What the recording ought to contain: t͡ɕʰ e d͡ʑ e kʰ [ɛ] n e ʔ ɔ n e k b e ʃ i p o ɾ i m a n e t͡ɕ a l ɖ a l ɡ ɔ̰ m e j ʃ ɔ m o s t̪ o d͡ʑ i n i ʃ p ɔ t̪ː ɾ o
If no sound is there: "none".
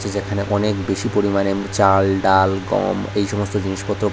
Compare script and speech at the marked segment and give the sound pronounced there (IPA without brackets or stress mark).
a